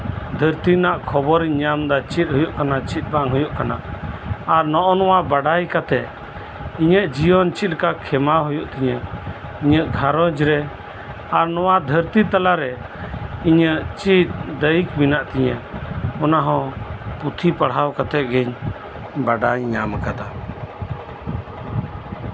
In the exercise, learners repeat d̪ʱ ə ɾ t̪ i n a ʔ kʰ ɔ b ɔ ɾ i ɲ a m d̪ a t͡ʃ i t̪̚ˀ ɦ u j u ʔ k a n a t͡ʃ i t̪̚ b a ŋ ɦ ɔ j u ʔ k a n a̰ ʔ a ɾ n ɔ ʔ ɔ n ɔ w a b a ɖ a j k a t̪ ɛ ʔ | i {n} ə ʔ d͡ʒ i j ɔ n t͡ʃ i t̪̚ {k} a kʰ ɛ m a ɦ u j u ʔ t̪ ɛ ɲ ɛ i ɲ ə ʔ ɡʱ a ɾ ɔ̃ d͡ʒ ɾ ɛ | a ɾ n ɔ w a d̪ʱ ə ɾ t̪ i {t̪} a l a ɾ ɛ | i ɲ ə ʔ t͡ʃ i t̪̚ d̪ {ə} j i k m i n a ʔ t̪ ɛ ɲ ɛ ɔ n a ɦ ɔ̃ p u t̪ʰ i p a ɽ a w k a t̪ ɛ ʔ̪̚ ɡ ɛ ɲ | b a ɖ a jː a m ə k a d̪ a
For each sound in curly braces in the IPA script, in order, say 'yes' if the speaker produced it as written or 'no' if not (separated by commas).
no, yes, yes, yes